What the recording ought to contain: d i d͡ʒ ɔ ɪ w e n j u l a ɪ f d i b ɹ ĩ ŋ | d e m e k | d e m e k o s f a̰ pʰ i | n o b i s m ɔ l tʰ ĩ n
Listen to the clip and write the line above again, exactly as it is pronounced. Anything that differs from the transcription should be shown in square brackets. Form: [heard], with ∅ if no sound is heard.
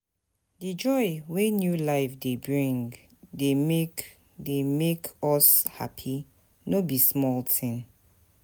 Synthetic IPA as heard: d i d͡ʒ ɔ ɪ w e n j u l a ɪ f d [e] b ɹ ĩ ŋ | d e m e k | d e m e k [ɔ] s [h] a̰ pʰ i | n o b i s m ɔ l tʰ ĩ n